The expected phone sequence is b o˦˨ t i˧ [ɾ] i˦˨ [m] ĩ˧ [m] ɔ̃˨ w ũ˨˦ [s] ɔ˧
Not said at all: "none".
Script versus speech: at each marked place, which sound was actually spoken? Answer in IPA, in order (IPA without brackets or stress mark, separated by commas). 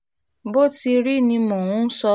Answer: ɾ, n, m, s